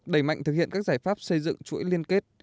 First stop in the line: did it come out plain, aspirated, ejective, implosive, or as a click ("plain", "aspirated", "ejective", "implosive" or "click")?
implosive